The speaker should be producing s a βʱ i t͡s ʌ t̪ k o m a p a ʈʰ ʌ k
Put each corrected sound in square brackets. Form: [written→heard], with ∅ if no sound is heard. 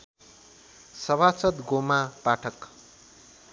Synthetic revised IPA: s [a→ʌ] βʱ [i→a] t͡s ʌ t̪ [k→ɡ] o m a p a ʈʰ ʌ k